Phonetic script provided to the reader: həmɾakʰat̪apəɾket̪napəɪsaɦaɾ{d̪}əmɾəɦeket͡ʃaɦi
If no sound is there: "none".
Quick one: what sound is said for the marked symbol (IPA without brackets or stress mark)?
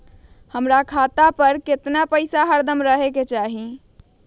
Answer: d̪